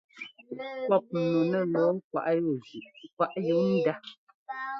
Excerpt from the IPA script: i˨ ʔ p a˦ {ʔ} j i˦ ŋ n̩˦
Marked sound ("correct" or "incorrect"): correct